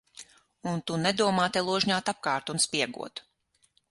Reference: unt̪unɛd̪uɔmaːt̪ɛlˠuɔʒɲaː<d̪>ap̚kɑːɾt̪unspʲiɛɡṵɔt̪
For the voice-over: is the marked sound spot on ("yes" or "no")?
no